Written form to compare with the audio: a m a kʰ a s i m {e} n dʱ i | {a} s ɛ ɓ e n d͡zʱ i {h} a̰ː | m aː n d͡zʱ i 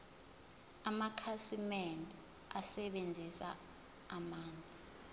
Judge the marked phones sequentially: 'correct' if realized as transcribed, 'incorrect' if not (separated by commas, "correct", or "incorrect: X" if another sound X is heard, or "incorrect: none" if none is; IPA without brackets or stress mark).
incorrect: ɛ, correct, incorrect: s